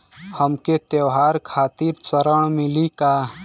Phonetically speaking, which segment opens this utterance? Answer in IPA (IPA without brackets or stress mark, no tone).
h